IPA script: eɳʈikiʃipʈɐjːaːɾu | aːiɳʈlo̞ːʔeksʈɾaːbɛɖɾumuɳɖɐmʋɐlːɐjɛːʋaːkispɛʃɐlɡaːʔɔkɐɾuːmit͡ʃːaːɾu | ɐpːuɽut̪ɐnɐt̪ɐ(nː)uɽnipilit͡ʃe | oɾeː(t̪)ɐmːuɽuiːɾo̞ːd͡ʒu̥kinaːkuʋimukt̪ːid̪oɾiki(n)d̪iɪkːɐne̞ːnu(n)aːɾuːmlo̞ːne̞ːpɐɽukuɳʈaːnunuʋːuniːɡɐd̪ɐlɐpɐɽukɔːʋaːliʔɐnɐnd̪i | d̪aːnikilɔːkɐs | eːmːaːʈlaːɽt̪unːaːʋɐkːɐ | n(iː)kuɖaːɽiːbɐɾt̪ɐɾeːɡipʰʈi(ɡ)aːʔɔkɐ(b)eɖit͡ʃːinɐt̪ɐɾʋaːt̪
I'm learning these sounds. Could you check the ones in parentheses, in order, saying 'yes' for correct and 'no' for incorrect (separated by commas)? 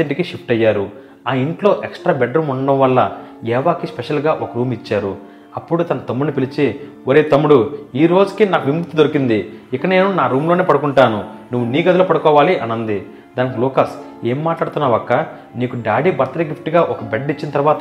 no, yes, yes, yes, yes, yes, yes